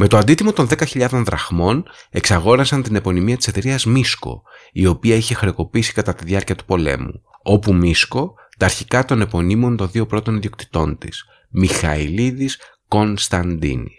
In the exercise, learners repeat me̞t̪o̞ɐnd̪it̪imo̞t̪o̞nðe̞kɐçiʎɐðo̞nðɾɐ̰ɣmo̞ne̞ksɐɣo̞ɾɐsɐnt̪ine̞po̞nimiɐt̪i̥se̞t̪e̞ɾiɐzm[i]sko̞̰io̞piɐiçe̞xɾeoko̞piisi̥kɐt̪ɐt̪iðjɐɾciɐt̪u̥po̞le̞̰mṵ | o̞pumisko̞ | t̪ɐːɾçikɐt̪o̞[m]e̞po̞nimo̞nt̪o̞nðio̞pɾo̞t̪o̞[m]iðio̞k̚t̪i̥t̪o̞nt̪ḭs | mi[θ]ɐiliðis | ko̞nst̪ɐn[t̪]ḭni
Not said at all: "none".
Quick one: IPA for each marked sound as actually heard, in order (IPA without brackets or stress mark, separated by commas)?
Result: i, n, n, x, d̪